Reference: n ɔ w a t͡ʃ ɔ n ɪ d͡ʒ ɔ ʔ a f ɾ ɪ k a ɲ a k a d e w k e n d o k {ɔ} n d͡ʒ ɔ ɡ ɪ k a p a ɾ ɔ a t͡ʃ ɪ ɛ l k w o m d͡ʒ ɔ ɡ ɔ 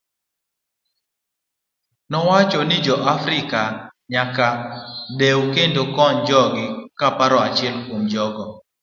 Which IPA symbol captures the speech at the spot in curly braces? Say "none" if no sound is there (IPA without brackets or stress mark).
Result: ɔ